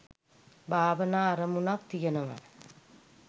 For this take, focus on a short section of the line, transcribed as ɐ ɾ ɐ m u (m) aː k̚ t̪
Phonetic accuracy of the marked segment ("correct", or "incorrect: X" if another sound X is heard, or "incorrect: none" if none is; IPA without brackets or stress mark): incorrect: n